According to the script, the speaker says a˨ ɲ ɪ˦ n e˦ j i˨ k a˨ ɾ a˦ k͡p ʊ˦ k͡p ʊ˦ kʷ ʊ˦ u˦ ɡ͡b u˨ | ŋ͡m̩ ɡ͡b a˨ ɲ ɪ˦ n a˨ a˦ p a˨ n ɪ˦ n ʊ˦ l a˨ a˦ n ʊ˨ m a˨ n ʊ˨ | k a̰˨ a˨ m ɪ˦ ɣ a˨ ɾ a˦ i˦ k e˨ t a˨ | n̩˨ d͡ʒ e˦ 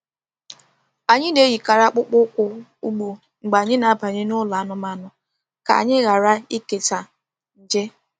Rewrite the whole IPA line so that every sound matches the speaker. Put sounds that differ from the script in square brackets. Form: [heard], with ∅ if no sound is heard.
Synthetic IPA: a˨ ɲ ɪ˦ n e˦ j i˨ k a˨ ɾ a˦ k͡p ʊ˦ k͡p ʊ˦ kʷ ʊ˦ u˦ ɡ͡b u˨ | ŋ͡m̩ ɡ͡b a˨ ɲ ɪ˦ n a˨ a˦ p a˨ [ɲ] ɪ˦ n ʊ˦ l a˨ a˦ n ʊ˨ m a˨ n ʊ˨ | k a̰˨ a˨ [ɲ] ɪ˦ ɣ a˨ ɾ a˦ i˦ k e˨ t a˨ | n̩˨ d͡ʒ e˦